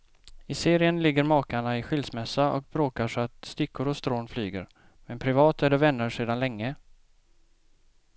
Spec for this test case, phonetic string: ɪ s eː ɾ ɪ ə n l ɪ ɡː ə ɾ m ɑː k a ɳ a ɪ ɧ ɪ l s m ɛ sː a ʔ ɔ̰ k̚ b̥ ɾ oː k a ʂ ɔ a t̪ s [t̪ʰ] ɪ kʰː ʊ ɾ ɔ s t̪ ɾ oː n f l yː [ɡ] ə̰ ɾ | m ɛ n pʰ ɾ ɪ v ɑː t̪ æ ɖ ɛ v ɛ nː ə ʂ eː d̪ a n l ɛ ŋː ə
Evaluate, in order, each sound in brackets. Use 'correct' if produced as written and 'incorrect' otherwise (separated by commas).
incorrect, correct